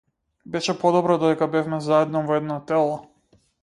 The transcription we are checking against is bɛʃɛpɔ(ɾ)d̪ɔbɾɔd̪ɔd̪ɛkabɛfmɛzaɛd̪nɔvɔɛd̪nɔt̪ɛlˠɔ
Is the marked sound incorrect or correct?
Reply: incorrect